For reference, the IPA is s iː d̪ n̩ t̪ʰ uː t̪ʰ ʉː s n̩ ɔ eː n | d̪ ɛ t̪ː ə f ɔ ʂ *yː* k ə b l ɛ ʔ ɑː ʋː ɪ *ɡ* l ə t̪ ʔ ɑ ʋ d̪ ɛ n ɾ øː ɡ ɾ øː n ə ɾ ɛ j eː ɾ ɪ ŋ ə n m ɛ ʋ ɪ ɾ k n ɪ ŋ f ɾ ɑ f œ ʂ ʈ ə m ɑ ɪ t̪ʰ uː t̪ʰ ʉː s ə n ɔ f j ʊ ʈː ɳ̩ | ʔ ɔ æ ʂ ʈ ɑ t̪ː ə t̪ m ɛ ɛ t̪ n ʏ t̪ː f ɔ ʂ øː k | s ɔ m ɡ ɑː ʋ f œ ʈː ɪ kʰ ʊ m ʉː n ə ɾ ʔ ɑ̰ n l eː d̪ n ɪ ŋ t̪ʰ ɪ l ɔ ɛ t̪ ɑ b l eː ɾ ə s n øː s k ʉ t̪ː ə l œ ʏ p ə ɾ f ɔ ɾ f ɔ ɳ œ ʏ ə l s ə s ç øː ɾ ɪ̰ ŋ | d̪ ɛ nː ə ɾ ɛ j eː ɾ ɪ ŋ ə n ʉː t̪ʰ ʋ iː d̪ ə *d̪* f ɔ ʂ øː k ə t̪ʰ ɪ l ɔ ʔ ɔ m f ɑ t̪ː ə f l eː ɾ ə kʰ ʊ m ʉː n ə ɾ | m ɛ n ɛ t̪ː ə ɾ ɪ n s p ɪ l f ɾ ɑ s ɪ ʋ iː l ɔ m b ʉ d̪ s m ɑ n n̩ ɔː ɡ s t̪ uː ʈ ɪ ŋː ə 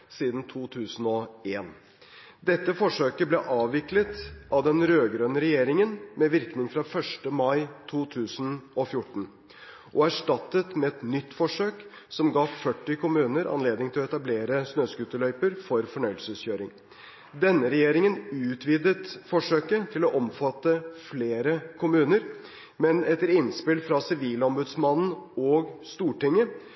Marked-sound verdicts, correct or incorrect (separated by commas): incorrect, incorrect, incorrect